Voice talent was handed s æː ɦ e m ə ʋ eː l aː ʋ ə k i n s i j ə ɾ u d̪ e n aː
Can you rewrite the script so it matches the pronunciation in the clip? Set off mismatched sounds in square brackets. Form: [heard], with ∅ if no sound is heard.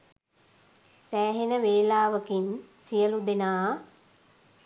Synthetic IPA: s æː ɦ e [n] ə ʋ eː l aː ʋ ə k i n s i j ə [l] u d̪ e n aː